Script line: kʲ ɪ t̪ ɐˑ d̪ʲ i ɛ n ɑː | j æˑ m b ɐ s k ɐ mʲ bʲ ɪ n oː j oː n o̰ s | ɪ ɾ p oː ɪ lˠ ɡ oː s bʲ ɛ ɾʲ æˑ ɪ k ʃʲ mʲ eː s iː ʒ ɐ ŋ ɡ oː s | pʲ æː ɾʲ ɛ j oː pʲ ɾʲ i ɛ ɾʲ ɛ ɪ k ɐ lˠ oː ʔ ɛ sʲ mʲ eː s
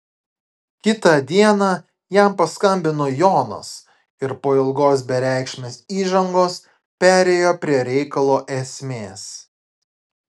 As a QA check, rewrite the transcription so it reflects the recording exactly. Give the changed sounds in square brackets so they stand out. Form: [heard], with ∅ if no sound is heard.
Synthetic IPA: kʲ ɪ t̪ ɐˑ d̪ʲ i ɛ n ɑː | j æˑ m [p] ɐ s k ɐ mʲ bʲ ɪ n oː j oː n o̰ s | ɪ ɾ p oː ɪ lˠ ɡ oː s bʲ ɛ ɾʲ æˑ ɪ k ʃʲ mʲ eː s iː ʒ ɐ ŋ ɡ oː s | pʲ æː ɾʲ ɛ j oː pʲ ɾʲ i ɛ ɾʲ ɛ ɪ k ɐ lˠ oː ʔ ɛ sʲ mʲ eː s

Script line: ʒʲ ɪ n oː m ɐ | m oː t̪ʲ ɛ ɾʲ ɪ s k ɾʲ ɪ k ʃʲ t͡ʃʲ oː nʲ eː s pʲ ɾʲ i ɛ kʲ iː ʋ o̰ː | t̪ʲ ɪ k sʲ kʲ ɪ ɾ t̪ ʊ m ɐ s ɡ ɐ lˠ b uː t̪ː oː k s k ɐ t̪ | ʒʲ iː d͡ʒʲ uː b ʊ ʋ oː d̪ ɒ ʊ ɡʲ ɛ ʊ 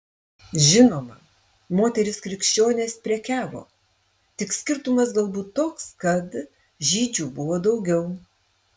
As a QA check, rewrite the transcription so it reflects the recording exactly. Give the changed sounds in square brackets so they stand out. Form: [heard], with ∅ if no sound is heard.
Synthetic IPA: ʒʲ ɪ n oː m ɐ | m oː t̪ʲ ɛ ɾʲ ɪ s k ɾʲ ɪ k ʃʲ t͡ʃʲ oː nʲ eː s pʲ ɾʲ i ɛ kʲ [æː] ʋ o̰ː | t̪ʲ ɪ k sʲ kʲ ɪ ɾ t̪ ʊ m ɐ s ɡ ɐ lˠ b uː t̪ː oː k s k ɐ t̪ | ʒʲ iː d͡ʒʲ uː b ʊ ʋ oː d̪ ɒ ʊ ɡʲ ɛ ʊ

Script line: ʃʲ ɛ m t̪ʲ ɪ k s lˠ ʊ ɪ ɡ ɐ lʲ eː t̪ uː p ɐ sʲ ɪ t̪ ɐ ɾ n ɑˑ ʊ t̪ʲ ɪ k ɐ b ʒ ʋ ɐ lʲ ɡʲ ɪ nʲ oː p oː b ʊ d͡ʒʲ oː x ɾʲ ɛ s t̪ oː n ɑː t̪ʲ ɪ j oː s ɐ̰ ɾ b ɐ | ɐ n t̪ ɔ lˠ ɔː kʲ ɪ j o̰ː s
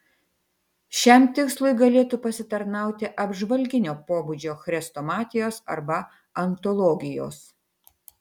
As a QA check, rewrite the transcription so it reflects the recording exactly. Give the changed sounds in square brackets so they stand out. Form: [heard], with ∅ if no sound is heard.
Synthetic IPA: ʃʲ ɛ m t̪ʲ ɪ k s lˠ ʊ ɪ ɡ ɐ lʲ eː t̪ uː p ɐ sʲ ɪ t̪ ɐ ɾ n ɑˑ ʊ t̪ʲ ɪ [ʔ] ɐ b ʒ ʋ ɐ lʲ ɡʲ ɪ nʲ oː p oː b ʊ d͡ʒʲ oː x ɾʲ ɛ s t̪ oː [m] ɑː t̪ʲ ɪ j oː s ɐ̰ ɾ b ɐ | ɐ n t̪ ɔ lˠ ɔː [ɡʲ] ɪ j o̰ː s

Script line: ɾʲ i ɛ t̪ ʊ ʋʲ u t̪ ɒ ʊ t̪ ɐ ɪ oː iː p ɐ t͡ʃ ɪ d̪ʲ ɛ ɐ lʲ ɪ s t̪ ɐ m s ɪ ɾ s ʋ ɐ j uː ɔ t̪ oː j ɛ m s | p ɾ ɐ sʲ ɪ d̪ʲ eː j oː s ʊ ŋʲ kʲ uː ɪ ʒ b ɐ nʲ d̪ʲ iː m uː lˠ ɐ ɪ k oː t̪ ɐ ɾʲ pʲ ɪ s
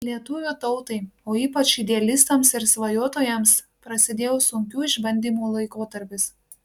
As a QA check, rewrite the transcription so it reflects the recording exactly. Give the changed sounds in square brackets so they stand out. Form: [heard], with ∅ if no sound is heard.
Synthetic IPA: [lʲ] i ɛ t̪ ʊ ʋʲ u t̪ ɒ ʊ t̪ ɐ ɪ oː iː p ɐ t͡ʃ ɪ d̪ʲ ɛ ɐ lʲ ɪ s t̪ ɐ m s ɪ ɾ s ʋ ɐ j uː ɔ t̪ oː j ɛ m s | p ɾ ɐ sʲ ɪ d̪ʲ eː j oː s ʊ ŋʲ kʲ uː ɪ ʒ b ɐ nʲ d̪ʲ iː m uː lˠ ɐ ɪ k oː t̪ ɐ ɾʲ pʲ ɪ s

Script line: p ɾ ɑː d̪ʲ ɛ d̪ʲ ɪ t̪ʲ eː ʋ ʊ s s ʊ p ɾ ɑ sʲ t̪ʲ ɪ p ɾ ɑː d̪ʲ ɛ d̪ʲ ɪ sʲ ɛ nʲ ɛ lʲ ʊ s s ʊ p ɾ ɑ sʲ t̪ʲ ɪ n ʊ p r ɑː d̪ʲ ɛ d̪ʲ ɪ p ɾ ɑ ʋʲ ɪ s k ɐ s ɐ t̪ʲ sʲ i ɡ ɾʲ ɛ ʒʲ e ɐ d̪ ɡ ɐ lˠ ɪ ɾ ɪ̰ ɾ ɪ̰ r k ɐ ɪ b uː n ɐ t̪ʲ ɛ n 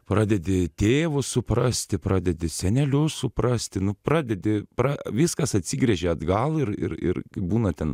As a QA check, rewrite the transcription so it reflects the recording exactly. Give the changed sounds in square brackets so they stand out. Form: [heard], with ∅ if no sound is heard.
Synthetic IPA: p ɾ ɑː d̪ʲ ɛ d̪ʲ ɪ t̪ʲ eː ʋ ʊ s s ʊ p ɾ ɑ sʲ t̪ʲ ɪ p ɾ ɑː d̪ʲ ɛ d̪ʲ ɪ sʲ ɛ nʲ ɛ lʲ ʊ s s ʊ p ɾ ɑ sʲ t̪ʲ ɪ n ʊ p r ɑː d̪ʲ ɛ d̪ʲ ɪ p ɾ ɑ ʋʲ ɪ s k ɐ s ɐ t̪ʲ sʲ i ɡ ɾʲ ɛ ʒʲ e ɐ d̪ ɡ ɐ lˠ ɪ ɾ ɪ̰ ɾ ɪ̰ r k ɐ ɪ b uː n ɐ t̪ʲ ɛ n

